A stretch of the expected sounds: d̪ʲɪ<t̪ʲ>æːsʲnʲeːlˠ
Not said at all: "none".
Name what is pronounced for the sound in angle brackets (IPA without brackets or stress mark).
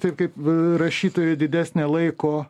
d̪ʲ